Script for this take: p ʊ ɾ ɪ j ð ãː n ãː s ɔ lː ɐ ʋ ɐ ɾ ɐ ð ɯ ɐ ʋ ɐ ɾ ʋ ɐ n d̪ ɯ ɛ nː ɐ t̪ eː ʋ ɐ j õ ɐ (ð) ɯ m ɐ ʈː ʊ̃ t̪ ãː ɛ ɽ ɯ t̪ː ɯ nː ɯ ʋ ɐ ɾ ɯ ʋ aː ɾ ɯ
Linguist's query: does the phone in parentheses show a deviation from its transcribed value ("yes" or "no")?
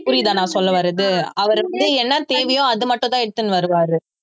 no